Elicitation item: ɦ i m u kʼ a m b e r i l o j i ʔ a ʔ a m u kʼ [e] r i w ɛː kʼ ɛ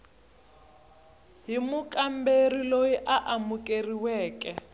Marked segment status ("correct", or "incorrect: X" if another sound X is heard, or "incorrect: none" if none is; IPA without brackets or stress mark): correct